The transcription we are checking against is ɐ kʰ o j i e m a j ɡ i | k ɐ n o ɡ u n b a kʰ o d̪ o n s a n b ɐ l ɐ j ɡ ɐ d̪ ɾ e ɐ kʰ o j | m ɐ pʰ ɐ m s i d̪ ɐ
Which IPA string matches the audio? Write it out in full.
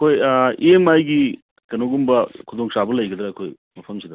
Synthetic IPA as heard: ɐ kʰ o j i e m a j ɡ i | k ɐ n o ɡ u m b ɐ kʰ u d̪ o ŋ s a b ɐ l ɐ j ɡ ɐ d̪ ɾ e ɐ kʰ o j | m ɐ pʰ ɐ m s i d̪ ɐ